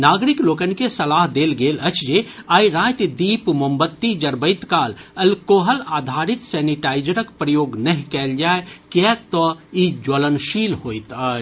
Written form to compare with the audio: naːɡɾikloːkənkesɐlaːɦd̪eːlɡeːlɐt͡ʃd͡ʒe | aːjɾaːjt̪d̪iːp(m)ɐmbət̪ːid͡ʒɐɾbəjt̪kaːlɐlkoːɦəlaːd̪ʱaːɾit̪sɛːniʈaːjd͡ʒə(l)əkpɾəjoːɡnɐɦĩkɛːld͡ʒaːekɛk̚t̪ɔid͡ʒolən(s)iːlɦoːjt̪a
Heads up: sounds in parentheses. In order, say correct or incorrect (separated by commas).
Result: correct, incorrect, incorrect